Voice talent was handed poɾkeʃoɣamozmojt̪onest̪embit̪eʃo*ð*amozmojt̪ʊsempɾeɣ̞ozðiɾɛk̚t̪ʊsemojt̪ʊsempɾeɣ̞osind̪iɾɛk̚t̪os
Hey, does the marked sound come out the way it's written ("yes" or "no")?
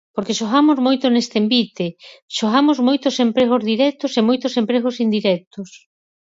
no